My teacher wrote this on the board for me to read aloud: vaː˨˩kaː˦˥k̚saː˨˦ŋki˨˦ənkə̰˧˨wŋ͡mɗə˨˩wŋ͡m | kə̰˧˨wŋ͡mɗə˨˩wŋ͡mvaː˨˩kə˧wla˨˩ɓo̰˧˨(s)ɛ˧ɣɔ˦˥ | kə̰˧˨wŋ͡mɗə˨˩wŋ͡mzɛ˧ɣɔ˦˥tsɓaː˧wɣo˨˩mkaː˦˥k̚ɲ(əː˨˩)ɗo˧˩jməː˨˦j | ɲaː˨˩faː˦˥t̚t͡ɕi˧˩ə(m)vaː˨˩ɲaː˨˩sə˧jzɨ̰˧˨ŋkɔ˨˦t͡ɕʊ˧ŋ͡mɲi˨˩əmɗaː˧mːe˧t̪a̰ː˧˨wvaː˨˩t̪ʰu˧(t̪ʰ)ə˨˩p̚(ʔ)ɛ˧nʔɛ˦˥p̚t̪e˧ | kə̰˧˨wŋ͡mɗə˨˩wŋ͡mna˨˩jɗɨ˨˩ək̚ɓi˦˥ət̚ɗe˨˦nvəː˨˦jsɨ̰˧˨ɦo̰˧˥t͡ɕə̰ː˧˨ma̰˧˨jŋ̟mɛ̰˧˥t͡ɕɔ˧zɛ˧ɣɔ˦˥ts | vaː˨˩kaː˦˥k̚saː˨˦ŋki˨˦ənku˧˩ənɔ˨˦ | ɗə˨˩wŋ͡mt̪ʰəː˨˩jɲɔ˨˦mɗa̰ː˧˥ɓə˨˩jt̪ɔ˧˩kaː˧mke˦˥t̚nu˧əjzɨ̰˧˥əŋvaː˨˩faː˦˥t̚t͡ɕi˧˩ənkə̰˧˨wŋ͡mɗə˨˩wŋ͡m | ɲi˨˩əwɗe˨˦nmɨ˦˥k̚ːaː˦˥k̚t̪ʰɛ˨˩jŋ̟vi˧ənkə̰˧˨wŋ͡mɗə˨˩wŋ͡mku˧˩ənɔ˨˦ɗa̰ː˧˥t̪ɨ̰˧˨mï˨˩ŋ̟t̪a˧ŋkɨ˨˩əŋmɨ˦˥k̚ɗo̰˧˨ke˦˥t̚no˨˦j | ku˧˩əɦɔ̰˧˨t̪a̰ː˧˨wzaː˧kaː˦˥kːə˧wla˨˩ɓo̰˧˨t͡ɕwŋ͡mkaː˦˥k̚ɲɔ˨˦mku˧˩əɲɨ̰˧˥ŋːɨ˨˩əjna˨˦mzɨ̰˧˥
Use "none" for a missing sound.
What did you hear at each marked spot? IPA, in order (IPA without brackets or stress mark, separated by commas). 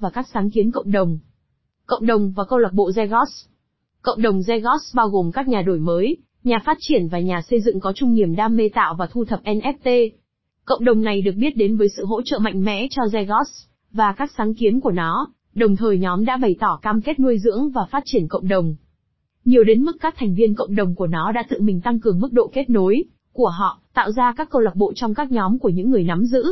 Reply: z, aː˨˩, n, t̪ʰ, ʔ